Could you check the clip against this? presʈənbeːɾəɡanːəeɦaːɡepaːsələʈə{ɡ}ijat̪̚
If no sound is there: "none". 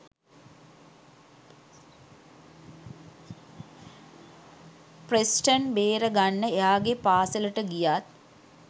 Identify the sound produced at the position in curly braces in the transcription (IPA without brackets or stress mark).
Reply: ɡ